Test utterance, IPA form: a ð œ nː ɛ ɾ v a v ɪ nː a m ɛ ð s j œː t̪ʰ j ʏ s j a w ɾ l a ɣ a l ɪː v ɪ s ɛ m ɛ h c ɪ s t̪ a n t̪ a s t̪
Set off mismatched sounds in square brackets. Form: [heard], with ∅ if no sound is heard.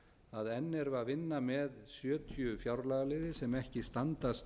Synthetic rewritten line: a ð [ɛ] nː ɛ ɾ v a v ɪ nː a m ɛ ð s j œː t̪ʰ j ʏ [f] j a w ɾ l a ɣ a l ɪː [ð] ɪ s ɛ m ɛ h c ɪ s t̪ a n t̪ a s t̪